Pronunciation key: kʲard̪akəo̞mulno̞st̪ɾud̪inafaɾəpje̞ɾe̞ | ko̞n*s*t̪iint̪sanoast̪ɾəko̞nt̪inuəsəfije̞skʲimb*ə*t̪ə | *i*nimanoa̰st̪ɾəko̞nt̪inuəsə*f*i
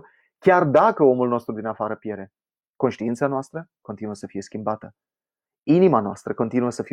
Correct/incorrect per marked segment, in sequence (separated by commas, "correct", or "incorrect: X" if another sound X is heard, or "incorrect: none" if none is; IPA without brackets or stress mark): incorrect: ʃ, incorrect: a, correct, correct